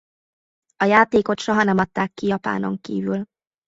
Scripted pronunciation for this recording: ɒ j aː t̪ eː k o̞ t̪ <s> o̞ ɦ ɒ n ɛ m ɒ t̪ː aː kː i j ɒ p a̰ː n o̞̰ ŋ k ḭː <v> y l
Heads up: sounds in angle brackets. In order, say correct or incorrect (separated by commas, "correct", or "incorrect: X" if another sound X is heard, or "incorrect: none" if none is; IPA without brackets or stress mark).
incorrect: ʃ, correct